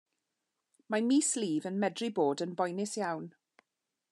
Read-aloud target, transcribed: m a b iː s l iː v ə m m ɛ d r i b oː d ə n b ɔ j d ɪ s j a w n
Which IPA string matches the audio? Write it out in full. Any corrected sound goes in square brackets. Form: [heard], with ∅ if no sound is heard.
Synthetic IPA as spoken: m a [m] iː s l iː v ə [n] m ɛ d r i b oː d ə n b ɔ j [n] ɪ s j a w n